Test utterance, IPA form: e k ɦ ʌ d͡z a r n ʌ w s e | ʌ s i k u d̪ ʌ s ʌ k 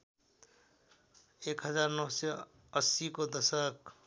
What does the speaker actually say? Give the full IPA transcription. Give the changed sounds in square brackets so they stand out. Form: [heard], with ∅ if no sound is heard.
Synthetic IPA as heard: e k ɦ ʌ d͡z a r n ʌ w s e | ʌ s i k [o] d̪ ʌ s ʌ k